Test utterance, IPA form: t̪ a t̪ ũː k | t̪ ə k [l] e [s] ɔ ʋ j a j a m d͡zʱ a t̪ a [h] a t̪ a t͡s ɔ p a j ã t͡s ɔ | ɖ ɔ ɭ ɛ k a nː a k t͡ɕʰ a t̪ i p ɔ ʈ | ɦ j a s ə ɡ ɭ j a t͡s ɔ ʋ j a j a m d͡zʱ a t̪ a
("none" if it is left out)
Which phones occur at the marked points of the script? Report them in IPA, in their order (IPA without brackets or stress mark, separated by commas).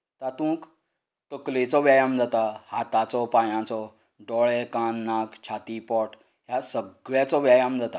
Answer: l, t͡s, h